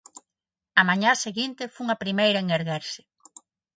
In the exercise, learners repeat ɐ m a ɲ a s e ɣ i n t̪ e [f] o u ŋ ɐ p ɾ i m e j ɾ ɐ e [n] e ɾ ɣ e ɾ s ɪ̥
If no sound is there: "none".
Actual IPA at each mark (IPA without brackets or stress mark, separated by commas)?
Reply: f, ŋ